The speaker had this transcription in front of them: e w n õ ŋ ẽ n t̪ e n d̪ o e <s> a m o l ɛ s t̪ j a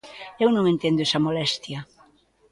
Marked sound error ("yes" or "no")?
no